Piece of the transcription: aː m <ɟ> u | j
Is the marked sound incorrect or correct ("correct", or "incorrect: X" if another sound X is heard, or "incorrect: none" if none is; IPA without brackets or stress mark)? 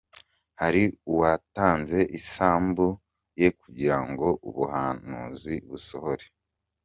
incorrect: b